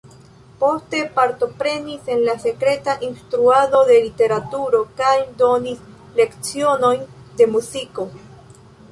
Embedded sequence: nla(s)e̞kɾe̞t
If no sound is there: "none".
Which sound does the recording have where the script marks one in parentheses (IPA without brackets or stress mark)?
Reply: s